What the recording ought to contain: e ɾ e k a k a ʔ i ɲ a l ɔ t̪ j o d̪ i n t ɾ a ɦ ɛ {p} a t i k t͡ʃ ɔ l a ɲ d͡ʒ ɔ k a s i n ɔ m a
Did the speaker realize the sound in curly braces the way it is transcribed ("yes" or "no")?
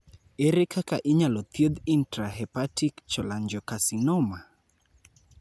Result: yes